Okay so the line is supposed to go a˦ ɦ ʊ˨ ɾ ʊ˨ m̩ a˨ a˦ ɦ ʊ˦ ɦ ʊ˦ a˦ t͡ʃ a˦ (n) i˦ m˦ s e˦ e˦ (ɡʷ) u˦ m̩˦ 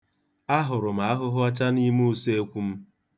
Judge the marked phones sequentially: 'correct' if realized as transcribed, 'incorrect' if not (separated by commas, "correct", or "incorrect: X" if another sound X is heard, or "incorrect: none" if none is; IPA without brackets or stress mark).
correct, incorrect: kʷ